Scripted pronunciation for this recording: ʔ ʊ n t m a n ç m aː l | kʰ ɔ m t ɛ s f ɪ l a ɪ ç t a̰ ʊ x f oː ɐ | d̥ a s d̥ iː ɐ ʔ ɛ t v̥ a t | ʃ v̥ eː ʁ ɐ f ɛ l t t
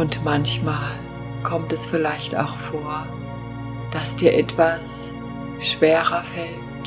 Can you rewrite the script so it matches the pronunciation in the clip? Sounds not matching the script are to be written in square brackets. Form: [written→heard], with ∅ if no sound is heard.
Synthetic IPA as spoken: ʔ ʊ n t m a n ç m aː l | kʰ ɔ m t ɛ s f ɪ l a ɪ ç t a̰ ʊ x f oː ɐ | d̥ a s d̥ iː ɐ ʔ ɛ t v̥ a [t→s] | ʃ v̥ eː ʁ ɐ f ɛ l t t